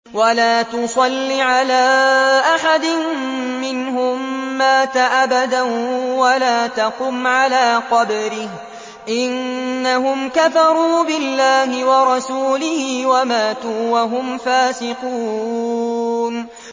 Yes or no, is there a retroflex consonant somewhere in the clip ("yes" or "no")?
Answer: no